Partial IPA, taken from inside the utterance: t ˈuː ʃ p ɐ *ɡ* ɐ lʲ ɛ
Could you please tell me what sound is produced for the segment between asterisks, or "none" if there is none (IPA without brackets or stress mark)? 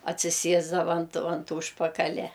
k